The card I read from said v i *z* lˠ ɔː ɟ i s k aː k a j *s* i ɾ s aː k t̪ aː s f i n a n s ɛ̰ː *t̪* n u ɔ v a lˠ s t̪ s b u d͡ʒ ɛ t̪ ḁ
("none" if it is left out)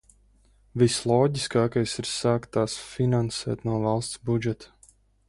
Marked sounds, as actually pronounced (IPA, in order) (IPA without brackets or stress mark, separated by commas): s, s, t̪